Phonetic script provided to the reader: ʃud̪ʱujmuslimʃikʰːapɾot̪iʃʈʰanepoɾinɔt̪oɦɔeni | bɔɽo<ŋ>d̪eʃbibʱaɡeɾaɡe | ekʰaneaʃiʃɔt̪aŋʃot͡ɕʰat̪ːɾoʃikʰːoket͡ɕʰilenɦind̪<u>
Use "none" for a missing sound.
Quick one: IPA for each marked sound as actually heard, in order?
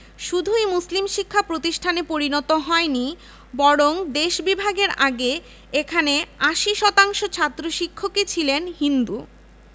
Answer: ŋ, u

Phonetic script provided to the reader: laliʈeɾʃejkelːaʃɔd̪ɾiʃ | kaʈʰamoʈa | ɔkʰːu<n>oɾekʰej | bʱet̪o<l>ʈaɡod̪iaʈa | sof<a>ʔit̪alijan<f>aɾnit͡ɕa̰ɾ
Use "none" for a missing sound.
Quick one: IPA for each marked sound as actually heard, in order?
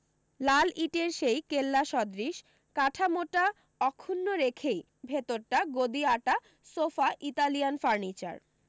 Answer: nː, ɾ, a, f

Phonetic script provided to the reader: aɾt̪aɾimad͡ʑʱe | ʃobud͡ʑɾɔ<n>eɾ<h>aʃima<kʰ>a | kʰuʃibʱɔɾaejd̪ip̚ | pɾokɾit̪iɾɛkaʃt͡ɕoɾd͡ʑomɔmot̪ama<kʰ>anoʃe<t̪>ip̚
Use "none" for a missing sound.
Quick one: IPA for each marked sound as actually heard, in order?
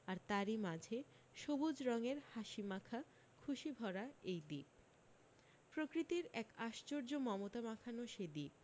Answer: ŋ, h, kʰ, kʰ, d̪

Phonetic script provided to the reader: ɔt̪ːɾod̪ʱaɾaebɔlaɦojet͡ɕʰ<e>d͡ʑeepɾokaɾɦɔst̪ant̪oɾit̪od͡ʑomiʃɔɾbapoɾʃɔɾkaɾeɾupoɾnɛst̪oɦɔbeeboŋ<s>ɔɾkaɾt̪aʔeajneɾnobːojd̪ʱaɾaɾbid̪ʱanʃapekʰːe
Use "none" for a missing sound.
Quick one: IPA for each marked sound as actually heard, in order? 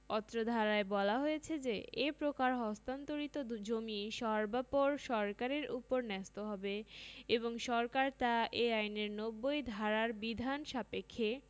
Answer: e, ʃ

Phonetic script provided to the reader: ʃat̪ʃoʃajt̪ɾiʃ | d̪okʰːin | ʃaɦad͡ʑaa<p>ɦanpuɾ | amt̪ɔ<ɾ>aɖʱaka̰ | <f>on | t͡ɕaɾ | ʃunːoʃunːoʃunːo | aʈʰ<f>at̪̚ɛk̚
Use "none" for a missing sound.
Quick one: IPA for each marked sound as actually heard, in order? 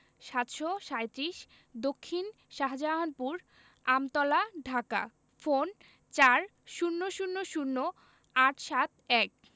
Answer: none, l, f, ʃ

